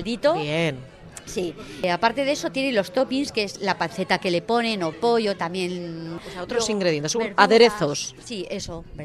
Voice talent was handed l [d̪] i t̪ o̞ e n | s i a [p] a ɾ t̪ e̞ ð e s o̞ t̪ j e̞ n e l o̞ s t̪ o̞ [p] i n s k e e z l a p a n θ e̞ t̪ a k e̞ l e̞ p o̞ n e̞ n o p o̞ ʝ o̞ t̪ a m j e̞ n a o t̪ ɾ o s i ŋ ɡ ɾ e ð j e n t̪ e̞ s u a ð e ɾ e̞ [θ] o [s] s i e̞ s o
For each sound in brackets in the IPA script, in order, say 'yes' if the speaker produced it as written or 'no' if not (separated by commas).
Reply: yes, yes, yes, yes, yes